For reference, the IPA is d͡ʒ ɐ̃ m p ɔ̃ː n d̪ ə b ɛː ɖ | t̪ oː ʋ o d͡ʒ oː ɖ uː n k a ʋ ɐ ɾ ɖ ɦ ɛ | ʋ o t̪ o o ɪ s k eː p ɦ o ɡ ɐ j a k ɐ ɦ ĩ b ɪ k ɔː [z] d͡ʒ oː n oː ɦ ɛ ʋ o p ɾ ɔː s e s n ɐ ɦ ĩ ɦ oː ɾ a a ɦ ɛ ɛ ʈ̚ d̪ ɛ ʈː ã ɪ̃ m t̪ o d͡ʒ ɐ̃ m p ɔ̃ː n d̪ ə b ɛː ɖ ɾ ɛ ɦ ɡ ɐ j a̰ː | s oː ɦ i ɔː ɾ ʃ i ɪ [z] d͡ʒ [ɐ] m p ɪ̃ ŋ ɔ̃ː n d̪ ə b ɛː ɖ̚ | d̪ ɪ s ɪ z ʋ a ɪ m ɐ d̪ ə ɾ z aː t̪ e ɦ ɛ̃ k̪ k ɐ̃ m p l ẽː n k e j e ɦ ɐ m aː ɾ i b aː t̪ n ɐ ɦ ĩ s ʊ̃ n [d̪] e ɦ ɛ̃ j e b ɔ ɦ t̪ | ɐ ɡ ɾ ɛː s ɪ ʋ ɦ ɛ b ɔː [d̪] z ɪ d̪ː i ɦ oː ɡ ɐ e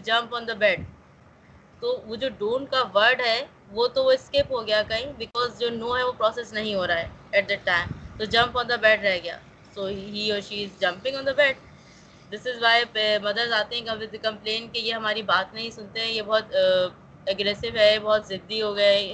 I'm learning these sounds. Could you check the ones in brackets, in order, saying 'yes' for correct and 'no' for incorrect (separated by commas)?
yes, yes, no, no, no